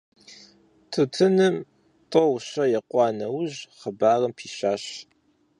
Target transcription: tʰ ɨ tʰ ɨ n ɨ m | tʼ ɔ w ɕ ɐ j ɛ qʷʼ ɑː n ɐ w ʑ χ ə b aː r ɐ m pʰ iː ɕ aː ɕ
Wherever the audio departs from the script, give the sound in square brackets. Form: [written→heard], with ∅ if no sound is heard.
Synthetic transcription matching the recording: tʰ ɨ tʰ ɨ n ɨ m | tʼ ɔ w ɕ ɐ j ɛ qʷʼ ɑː n ɐ w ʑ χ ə b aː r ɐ m pʰ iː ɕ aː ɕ